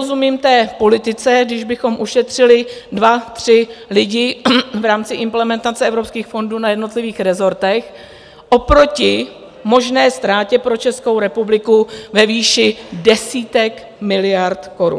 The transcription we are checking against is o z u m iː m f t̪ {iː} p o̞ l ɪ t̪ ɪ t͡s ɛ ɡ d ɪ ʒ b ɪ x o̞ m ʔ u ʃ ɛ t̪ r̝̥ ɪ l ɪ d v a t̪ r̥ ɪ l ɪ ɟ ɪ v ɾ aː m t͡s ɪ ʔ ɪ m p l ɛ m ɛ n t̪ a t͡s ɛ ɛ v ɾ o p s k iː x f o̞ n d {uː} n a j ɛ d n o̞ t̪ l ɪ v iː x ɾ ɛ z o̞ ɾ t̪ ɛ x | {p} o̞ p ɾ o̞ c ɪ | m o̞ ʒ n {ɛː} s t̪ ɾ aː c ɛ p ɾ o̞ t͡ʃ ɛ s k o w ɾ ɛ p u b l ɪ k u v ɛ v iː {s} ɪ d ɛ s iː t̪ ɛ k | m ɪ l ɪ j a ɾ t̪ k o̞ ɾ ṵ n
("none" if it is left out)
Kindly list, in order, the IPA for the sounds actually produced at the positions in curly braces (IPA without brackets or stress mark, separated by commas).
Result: ɛː, uː, ʔ, ɛː, ʃ